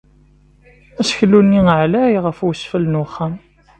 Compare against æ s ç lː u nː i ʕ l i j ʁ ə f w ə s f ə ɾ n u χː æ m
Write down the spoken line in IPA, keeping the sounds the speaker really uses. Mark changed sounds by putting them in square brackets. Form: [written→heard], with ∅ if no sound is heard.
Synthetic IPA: æ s ç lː u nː i ʕ l [i→æ] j ʁ ə f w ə s f ə [ɾ→l] n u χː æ m

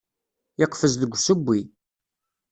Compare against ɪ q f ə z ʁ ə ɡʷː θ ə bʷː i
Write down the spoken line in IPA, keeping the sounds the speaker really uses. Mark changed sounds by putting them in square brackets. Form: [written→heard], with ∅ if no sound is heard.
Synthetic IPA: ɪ q f ə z [ʁ→ð] ə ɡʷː [θ→s] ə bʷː i

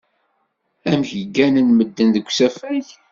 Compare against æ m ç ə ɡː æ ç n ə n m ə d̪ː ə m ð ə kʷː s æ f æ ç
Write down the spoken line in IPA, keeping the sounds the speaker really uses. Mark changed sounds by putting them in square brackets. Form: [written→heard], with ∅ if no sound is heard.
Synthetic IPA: æ m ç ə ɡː æ [ç→∅] n ə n m ə d̪ː ə [m→n] ð ə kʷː s æ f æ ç

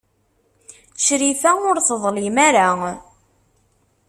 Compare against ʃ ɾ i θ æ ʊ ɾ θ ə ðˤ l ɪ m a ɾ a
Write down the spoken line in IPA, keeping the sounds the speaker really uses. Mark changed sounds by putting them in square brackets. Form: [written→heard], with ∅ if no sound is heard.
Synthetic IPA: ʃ ɾ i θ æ ʊ ɾ θ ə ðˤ l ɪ m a ɾ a

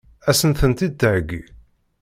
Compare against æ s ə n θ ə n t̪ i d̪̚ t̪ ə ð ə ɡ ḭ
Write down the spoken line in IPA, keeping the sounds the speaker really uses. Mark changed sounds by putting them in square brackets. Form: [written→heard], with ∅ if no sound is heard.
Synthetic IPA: æ s ə n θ ə n t̪ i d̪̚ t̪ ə [ð→ʕ] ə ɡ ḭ

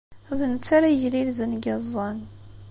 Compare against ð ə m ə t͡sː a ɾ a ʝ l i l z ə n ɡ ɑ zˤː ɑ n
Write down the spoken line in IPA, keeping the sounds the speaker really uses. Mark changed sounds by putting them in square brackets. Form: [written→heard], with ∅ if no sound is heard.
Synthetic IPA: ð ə [m→n] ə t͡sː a ɾ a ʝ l i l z ə n ɡ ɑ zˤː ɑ n

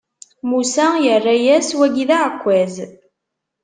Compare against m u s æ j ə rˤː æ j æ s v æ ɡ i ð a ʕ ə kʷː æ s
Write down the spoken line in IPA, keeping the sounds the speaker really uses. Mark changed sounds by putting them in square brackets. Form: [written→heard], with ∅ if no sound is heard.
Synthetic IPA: m u s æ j ə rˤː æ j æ s [v→w] æ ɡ i ð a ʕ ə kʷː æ [s→z]

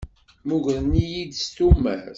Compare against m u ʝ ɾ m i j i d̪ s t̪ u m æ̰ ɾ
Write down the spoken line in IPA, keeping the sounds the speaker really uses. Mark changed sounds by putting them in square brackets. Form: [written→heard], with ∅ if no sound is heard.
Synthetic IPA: m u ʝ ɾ [m→n] i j i d̪ s t̪ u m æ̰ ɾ

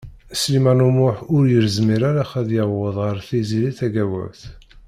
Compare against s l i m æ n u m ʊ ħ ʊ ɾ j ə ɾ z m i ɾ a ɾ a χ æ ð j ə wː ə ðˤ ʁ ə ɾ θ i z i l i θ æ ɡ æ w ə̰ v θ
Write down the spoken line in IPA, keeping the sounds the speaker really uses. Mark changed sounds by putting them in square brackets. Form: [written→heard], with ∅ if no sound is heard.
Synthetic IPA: s l i m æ n u m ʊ ħ ʊ ɾ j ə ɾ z m i ɾ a ɾ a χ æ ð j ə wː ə ðˤ ʁ ə ɾ θ i z i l i θ æ ɡ æ w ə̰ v θ

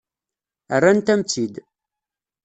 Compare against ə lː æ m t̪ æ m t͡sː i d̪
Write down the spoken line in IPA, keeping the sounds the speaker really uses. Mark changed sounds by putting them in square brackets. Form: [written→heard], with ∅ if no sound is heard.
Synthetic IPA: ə [lː→rː] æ [m→n] t̪ æ m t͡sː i d̪

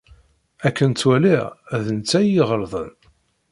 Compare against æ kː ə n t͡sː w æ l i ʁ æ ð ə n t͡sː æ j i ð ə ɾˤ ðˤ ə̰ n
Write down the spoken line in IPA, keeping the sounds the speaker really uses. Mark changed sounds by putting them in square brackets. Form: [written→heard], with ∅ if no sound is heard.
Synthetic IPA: æ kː ə n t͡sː w æ l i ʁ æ ð ə n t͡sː æ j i [ð→ʁ] ə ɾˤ ðˤ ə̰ n

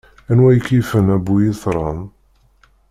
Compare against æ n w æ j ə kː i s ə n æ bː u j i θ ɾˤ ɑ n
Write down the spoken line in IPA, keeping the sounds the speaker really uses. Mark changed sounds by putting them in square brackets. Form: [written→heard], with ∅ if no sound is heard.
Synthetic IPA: æ n w æ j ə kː i [s→f] ə n æ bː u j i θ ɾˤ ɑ n

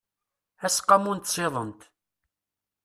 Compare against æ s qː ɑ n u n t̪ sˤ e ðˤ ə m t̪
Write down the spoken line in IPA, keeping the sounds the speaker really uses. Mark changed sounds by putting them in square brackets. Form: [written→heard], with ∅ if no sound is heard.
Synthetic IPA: æ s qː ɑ [n→m] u n t̪ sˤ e ðˤ ə [m→n] t̪

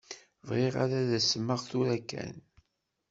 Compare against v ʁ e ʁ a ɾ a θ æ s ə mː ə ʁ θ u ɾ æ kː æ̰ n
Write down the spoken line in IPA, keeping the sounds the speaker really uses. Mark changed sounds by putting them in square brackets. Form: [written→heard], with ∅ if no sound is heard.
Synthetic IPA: v ʁ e ʁ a ɾ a [θ→ð] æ s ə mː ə ʁ θ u ɾ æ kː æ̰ n

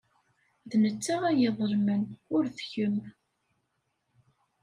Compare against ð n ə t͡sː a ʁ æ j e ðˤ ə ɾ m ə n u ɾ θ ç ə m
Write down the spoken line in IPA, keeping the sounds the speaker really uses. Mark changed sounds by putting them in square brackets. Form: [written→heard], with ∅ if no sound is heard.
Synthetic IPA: ð n ə t͡sː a ʁ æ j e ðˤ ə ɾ m ə n [u→ʊ] ɾ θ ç ə m

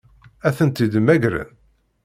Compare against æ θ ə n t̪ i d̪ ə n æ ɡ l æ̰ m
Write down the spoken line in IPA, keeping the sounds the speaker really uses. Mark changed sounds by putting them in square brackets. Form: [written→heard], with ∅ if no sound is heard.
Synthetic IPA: æ θ ə n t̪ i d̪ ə [n→m] æ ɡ [l→ɾ] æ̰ [m→n]

